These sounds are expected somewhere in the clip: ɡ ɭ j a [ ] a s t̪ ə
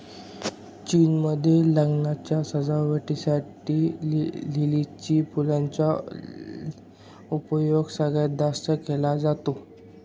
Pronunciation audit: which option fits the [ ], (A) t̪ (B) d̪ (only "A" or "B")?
B